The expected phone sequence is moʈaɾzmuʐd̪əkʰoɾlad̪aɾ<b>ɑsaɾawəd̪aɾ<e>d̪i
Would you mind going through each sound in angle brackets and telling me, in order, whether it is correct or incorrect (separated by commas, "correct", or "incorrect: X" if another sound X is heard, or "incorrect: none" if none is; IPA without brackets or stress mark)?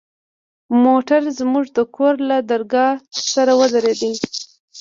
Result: incorrect: ɡ, correct